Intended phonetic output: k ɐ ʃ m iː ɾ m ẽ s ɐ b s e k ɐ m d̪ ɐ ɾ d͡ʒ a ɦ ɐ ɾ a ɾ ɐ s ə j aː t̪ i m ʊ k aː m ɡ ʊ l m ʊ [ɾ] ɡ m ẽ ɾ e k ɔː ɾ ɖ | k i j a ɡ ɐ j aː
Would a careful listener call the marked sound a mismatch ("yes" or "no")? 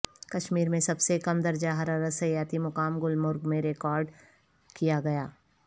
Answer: no